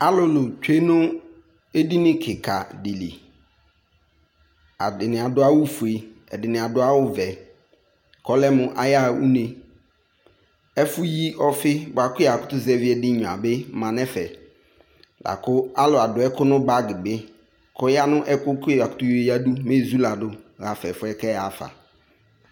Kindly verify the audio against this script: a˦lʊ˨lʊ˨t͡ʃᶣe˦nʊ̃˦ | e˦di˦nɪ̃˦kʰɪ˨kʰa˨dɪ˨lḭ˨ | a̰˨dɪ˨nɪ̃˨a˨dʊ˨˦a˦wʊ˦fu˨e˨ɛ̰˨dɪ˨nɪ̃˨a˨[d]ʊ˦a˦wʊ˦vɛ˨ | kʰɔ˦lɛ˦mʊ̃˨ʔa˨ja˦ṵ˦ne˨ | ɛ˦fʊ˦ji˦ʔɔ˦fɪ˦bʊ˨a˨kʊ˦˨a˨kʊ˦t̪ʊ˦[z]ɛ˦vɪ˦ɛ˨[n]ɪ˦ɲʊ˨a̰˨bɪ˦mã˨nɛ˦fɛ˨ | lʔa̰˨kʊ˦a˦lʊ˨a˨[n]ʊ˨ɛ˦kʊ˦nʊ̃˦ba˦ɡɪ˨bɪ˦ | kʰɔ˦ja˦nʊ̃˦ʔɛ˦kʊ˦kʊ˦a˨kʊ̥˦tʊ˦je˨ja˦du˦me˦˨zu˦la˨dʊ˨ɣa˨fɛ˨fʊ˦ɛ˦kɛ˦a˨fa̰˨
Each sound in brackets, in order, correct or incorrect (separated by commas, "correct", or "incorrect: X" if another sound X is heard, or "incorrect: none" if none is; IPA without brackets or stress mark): correct, correct, incorrect: d, incorrect: d